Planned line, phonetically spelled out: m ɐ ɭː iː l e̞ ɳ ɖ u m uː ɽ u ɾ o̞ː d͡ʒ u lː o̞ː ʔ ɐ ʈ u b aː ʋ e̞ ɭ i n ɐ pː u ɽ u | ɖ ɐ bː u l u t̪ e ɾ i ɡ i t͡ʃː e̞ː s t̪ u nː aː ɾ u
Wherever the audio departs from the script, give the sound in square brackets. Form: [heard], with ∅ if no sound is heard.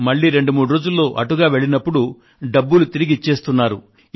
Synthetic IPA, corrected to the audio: m ɐ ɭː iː [ɾ] e̞ ɳ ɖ u m uː ɽ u ɾ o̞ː d͡ʒ u lː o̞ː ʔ ɐ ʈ u [ɡ] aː ʋ e̞ ɭ i n ɐ pː u ɽ u | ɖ ɐ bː u l u t̪ [i] ɾ i ɡ i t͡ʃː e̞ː s t̪ u nː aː ɾ u